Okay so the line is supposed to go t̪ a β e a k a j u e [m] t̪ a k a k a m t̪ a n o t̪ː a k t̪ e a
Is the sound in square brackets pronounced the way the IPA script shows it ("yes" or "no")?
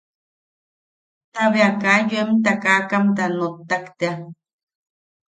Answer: yes